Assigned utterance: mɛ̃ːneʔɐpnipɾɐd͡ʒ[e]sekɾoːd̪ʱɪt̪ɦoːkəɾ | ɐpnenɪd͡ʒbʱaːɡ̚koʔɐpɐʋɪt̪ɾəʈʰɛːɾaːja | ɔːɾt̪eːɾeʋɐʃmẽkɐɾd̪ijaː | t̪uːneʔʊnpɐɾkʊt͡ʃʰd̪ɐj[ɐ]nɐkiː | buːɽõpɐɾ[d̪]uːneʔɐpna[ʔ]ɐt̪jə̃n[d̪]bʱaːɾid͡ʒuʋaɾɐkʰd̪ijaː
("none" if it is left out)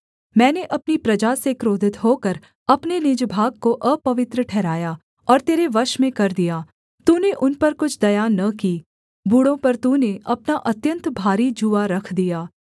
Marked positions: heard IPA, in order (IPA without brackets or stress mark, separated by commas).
a, a, t̪, ʔ, t̪